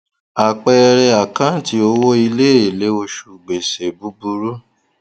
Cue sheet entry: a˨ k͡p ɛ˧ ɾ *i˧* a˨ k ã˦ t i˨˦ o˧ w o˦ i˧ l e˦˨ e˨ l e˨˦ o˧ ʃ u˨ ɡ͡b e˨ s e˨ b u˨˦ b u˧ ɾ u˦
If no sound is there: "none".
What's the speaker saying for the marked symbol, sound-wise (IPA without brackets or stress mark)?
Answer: ɛ˧